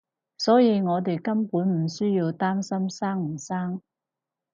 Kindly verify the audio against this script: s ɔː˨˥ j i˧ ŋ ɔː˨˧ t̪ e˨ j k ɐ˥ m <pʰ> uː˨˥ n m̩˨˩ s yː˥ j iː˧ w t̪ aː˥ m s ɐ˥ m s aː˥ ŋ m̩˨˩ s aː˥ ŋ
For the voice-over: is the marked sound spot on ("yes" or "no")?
no